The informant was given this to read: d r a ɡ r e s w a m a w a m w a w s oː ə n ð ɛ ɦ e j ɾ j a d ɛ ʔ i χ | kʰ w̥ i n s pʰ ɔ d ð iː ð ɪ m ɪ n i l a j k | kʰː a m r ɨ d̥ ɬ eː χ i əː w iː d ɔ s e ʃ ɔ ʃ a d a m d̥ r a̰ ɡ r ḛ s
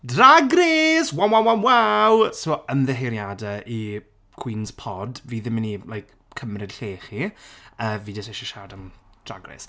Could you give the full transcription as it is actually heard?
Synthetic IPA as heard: d r a ɡ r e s w a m a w a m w a w s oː ə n ð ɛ ɦ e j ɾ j a d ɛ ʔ i | kʰ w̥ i n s pʰ ɔ d v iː ð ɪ m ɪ n i l a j k | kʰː ə m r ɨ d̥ ɬ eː χ i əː v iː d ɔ s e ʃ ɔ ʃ a d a m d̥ r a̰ ɡ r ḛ s